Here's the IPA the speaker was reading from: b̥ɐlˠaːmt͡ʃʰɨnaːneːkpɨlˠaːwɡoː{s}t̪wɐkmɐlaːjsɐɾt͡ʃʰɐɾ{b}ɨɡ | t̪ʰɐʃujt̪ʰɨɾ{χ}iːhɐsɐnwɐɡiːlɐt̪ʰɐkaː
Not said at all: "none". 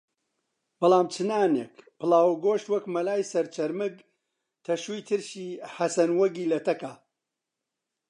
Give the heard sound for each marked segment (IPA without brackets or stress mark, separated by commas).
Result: ʃ, m, ʃ